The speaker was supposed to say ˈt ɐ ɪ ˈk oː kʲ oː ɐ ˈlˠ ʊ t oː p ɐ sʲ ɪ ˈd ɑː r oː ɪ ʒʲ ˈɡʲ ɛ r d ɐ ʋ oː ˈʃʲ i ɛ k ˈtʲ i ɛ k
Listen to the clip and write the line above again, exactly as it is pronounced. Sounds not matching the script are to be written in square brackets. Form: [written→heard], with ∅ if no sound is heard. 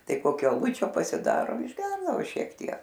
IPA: ˈt ɐ ɪ ˈk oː kʲ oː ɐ ˈlˠ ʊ [t→t͡ʃʲ] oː p ɐ sʲ ɪ ˈd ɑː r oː ɪ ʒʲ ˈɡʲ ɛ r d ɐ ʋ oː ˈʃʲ i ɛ k ˈtʲ i ɛ k

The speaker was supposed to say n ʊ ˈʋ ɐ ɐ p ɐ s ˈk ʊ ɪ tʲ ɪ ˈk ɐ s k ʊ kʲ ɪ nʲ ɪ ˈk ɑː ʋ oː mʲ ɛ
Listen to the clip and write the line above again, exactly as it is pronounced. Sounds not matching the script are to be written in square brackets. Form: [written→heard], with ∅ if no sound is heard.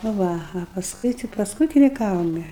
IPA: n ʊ ˈʋ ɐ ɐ p ɐ s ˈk ʊ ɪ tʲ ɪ [ˈk→ˈp] ɐ s k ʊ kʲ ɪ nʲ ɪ ˈk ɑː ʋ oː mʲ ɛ

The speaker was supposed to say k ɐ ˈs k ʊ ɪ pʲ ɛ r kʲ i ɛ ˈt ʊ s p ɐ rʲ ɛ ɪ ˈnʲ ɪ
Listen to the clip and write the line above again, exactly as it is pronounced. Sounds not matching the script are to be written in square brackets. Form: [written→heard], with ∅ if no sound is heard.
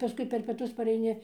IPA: [k→p] ɐ ˈs k ʊ ɪ pʲ ɛ r [kʲ→pʲ] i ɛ ˈt ʊ s p ɐ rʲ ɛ ɪ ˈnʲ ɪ

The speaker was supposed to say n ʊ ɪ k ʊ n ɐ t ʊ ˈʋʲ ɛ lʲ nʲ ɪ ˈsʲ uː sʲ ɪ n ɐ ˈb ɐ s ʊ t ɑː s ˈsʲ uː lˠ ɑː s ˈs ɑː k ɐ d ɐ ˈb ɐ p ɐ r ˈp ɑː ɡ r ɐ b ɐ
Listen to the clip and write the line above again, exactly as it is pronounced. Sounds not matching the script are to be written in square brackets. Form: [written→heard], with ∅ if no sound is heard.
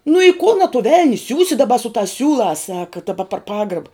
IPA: n ʊ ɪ k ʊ n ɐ t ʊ ˈʋʲ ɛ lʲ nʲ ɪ ˈsʲ uː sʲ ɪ [n→d] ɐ ˈb ɐ s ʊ t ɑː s ˈsʲ uː lˠ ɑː s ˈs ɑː k ɐ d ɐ ˈb ɐ p ɐ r ˈp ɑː ɡ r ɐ b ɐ

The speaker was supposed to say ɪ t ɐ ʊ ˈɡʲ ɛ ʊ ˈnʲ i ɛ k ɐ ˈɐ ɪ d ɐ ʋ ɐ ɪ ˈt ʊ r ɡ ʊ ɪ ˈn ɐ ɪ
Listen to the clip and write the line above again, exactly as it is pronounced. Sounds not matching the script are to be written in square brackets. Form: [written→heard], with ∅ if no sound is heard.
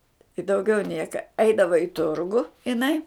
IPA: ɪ [t→d] ɐ ʊ ˈɡʲ ɛ ʊ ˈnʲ i ɛ k ɐ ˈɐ ɪ d ɐ ʋ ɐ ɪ ˈt ʊ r ɡ ʊ ɪ ˈn ɐ ɪ

